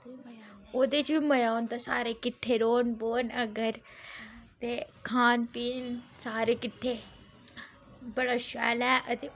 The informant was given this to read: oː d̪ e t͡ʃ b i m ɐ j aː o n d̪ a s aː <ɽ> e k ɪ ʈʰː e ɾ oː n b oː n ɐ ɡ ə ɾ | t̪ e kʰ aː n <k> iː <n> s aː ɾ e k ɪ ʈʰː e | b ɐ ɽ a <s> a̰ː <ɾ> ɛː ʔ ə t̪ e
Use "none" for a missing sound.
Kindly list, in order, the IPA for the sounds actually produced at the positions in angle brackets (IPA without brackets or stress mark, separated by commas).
ɾ, p, n, ʃ, l